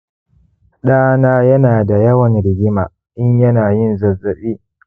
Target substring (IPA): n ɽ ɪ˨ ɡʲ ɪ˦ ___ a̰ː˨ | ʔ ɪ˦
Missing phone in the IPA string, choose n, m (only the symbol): m